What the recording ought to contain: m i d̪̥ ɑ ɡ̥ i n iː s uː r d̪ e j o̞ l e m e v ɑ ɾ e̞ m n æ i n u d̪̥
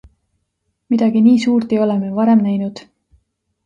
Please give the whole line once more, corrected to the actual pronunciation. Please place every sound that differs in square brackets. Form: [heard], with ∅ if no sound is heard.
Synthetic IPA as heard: m i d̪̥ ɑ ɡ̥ i n iː s uː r [t̪] e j o̞ l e m e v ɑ ɾ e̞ m n æ [j] n u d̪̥